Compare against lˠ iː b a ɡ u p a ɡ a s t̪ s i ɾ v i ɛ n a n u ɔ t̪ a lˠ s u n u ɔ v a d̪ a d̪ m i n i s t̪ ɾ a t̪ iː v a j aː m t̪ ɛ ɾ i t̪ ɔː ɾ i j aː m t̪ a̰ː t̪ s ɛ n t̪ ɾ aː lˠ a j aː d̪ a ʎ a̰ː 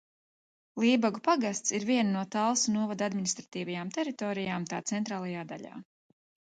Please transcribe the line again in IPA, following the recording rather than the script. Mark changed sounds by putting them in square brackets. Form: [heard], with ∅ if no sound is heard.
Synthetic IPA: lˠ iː b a ɡ u p a ɡ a s t̪ s i ɾ v i ɛ n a n u ɔ t̪ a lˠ s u n u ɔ v a d̪ a d̪ m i n i s t̪ ɾ a t̪ iː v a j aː m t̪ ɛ ɾ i t̪ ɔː ɾ i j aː m t̪ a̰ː t̪ s ɛ n t̪ ɾ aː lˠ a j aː d̪ a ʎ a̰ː